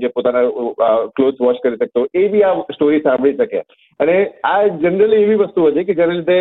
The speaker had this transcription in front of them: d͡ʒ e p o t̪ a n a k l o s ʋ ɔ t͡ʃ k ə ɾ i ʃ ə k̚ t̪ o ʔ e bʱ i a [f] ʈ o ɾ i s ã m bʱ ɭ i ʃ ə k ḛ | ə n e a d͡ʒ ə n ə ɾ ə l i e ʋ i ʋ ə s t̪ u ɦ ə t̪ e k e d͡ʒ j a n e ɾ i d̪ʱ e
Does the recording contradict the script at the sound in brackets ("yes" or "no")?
yes